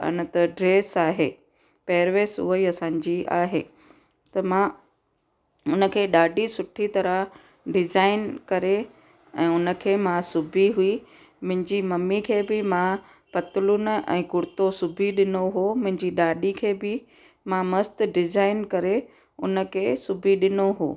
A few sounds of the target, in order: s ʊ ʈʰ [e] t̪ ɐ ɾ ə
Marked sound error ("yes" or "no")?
yes